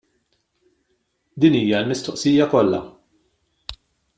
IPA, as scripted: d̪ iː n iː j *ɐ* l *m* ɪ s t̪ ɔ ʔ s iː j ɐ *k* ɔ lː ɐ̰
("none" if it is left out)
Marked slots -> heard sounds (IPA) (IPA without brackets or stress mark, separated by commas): ɐ, m, k